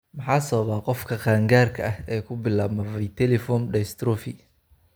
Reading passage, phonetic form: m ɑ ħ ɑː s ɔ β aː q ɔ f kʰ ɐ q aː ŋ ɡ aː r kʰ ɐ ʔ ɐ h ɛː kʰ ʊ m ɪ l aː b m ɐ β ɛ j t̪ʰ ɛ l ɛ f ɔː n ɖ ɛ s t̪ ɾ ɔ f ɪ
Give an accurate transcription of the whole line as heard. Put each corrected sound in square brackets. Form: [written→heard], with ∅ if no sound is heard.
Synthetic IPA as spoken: m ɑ ħ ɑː s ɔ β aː q ɔ f kʰ ɐ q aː ŋ ɡ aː r kʰ ɐ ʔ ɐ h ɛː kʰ ʊ [m→b] ɪ l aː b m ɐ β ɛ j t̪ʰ ɛ l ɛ f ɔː n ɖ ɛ s t̪ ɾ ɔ f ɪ